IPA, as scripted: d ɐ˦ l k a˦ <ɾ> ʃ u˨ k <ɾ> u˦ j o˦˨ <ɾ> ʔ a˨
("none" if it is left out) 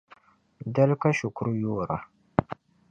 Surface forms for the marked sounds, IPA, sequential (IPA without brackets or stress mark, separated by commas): none, ɾ, ɾ